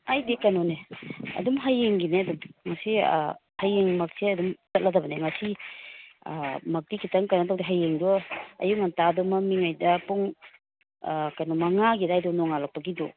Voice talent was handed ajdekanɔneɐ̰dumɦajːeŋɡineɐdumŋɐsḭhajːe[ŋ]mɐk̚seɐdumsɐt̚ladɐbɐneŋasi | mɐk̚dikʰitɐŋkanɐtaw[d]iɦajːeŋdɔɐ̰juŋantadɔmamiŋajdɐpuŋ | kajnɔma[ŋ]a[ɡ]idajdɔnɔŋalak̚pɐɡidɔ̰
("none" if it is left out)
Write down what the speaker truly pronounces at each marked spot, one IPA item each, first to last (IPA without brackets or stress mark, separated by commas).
ŋ, d, ŋ, ɡ